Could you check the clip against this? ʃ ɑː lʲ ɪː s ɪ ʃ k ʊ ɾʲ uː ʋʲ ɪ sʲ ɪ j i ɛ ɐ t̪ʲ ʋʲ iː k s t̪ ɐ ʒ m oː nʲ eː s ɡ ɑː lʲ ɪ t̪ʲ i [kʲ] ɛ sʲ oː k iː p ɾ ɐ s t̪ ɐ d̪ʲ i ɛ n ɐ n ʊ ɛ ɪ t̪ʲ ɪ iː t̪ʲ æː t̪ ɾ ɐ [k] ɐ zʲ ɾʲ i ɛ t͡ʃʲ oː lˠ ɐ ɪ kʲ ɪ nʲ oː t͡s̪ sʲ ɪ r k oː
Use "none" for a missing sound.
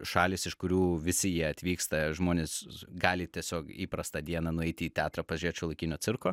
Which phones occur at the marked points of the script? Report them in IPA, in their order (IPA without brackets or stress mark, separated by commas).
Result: none, p